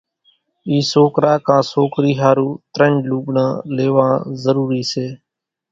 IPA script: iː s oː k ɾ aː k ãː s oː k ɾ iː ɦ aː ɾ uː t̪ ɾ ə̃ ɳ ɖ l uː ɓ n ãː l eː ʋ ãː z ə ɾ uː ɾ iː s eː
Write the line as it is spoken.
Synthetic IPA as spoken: iː s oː k ɾ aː k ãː s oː k ɾ iː ɦ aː ɾ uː t̪ ɾ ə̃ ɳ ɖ l uː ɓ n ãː l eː ʋ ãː z ə ɾ uː ɾ iː s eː

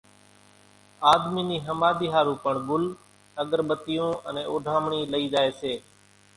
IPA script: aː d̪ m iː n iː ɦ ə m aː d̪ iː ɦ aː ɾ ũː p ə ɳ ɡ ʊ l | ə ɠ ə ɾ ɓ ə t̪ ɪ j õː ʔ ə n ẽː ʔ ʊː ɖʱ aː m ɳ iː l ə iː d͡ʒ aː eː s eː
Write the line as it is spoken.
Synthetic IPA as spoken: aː d̪ m iː n iː ɦ ə m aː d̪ iː ɦ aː ɾ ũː p ə ɳ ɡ ʊ l | ə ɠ ə ɾ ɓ ə t̪ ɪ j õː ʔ ə n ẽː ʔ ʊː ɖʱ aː m ɳ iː l ə iː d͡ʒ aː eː s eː

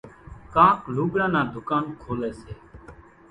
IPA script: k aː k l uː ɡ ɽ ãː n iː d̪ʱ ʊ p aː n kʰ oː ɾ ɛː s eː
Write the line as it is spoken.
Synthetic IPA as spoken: k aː k l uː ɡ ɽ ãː n aː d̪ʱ ʊ k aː n kʰ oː l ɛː s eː

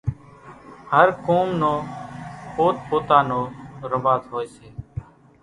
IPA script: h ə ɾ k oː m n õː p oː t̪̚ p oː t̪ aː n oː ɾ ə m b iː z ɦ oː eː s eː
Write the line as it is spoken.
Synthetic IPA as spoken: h ə ɾ k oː m n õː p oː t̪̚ p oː t̪ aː n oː ɾ ə m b aː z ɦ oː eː s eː

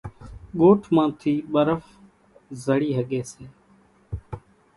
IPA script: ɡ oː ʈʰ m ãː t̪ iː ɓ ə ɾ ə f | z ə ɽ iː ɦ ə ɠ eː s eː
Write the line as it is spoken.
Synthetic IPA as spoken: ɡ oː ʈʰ m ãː t̪ʰ iː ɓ ə ɾ ə f | z ə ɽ iː ɦ ə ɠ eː s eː

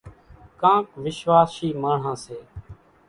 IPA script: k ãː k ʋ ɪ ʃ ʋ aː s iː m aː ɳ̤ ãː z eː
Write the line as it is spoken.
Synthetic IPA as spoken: k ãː k ʋ ɪ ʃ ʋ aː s iː m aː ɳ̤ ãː s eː

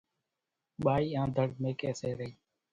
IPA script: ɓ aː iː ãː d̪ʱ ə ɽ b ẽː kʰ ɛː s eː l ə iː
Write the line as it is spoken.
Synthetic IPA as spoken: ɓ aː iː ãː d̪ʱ ə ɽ m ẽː k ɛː s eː ɾ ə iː

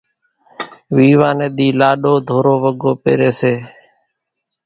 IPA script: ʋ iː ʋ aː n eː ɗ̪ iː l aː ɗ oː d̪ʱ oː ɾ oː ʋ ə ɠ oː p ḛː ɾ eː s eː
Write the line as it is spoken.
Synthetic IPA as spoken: ʋ iː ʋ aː n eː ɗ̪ iː l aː ɗ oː d̪ʱ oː ɾ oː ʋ ə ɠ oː p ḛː ɾ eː s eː

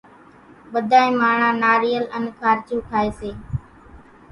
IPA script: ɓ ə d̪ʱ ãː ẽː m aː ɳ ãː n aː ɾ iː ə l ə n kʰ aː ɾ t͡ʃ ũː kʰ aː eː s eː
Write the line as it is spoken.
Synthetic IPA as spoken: ɓ ə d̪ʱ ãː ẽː m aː ɳ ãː n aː ɾ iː ə l ə n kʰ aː ɾ t͡ʃ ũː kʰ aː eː s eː

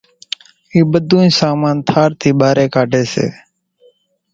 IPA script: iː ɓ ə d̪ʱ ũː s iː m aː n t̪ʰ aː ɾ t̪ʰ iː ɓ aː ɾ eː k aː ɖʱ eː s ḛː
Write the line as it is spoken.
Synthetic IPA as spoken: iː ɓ ə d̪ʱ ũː s aː m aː n t̪ʰ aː ɾ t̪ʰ iː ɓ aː ɾ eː k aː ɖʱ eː s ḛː

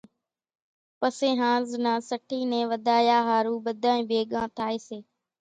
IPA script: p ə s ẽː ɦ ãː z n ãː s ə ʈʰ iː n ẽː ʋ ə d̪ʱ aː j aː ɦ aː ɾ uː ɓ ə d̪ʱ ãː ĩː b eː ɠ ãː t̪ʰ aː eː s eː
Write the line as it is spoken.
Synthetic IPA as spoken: p ə s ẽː ɦ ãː z n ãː s ə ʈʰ iː n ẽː ʋ ə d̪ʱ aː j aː ɦ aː ɾ uː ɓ ə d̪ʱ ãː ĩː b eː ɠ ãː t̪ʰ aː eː s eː

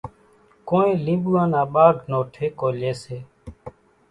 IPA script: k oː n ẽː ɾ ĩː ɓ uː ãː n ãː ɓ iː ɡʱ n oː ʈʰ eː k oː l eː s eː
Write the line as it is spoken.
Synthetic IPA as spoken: k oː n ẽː l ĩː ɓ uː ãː n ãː ɓ aː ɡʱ n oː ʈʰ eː k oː l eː s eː

